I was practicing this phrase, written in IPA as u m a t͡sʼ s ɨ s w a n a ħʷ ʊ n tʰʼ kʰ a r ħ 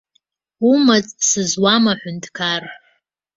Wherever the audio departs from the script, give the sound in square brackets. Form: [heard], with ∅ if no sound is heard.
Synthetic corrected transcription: u m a t͡sʼ s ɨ [z] w a [m] a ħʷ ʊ n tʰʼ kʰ a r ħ